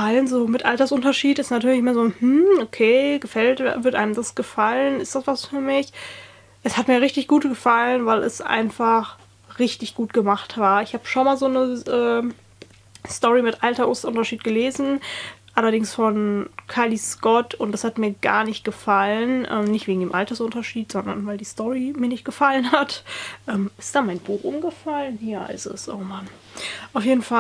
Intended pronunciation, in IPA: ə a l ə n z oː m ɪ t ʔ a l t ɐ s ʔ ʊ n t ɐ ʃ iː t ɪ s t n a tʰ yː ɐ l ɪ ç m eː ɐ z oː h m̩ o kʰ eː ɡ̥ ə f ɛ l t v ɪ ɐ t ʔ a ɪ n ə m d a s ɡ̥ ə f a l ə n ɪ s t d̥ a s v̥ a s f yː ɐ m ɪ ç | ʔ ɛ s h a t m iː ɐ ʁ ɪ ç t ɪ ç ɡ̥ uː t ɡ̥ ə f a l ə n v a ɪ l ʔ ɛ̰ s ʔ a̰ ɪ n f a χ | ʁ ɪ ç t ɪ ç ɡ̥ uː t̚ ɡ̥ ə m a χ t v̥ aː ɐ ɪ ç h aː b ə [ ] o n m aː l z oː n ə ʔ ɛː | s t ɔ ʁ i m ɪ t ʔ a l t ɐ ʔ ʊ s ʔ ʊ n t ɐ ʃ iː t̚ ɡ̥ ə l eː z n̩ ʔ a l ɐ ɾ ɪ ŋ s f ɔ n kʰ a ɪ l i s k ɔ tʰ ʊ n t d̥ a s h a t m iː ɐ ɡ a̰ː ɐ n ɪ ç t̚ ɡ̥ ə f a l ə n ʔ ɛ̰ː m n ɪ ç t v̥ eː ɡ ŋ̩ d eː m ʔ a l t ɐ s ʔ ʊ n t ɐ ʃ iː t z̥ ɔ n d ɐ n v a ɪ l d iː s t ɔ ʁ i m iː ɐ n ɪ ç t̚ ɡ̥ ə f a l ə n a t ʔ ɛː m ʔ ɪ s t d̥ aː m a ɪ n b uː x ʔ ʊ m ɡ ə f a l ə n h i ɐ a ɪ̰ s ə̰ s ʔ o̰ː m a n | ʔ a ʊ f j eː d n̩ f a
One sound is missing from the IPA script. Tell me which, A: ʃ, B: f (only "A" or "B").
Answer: A